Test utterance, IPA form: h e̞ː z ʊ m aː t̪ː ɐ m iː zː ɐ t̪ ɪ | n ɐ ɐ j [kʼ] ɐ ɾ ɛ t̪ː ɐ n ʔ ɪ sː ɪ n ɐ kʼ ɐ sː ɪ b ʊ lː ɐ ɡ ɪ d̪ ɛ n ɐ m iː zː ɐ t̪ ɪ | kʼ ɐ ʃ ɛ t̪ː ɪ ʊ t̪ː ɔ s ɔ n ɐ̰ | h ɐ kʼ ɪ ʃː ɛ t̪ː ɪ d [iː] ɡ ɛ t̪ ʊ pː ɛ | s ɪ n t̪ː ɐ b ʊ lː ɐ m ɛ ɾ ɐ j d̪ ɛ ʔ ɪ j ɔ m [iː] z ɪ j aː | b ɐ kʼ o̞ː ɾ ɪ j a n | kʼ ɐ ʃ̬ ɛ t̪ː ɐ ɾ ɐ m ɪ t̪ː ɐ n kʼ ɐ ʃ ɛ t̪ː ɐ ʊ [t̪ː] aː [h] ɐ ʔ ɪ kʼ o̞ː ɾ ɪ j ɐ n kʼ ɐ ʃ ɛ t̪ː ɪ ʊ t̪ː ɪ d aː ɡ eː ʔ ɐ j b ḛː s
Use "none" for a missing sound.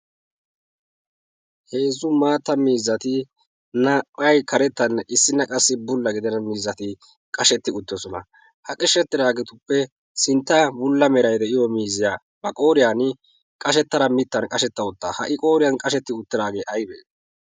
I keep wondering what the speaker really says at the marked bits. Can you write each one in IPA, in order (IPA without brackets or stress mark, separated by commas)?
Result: k, aː, iː, t̪ː, h